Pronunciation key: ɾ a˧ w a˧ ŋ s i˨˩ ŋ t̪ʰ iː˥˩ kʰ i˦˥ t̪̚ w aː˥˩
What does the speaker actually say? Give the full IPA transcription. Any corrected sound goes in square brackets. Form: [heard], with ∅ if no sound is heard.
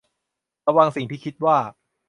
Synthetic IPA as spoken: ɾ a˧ w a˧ ŋ s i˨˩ ŋ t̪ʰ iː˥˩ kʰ i˦˥ t̪̚ w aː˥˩